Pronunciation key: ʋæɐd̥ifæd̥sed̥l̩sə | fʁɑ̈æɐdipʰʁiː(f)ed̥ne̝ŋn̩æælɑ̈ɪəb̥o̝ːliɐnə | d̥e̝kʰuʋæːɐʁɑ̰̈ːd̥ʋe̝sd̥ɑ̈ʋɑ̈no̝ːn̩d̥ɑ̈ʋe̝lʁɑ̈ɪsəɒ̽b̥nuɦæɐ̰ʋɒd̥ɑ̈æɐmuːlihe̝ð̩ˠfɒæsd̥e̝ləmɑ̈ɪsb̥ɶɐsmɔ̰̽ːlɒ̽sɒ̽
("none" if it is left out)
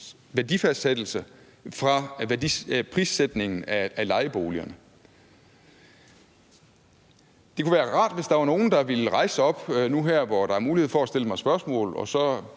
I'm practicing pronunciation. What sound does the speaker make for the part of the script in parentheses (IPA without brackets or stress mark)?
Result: s